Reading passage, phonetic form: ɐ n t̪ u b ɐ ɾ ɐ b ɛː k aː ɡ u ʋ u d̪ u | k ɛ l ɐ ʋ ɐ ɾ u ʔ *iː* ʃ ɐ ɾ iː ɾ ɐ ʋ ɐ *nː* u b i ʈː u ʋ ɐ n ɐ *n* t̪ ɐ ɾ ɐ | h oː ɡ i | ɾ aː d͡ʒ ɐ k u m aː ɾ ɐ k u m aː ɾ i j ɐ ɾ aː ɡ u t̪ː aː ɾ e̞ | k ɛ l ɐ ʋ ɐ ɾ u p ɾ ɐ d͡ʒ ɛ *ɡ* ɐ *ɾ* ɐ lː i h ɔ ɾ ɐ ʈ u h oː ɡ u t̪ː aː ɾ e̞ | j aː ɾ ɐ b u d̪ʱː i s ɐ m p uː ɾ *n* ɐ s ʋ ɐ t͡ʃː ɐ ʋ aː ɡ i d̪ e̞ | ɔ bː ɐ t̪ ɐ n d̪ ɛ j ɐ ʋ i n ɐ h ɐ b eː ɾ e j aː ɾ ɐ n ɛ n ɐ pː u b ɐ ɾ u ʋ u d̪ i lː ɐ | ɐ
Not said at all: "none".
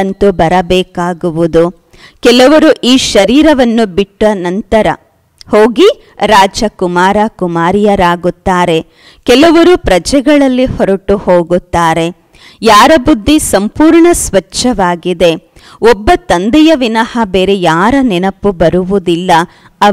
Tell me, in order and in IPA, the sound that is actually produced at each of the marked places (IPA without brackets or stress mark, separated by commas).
iː, nː, n, ɡ, ɭ, ɳ